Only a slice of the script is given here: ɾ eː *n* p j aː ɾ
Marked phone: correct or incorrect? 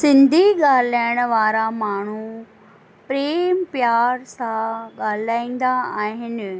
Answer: incorrect